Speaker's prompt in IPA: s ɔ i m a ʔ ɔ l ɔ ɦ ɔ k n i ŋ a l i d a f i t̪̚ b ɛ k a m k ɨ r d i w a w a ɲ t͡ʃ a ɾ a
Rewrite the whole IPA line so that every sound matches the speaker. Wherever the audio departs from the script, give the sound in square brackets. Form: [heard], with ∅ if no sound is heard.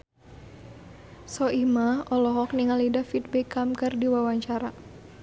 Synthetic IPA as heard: s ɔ i m a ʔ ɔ l ɔ ɦ ɔ k n i ŋ a l i d a f i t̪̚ b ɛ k a m k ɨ r d i w a w a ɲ t͡ʃ a ɾ a